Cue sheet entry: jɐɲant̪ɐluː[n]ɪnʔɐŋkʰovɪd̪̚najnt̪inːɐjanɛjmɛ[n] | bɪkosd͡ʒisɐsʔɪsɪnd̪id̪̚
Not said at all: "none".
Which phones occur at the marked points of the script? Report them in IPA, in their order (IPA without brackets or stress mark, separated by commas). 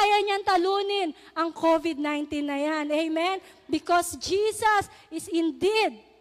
n, n